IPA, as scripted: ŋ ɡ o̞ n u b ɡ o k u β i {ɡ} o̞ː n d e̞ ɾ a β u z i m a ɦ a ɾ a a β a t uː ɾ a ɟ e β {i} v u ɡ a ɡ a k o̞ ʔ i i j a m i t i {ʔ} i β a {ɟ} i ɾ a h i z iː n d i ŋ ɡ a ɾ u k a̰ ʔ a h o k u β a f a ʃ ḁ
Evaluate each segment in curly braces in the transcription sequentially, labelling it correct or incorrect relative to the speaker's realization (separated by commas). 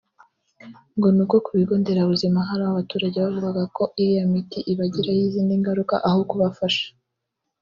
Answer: correct, incorrect, correct, correct